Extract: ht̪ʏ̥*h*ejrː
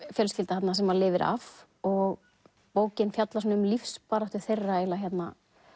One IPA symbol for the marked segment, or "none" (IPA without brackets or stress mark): θ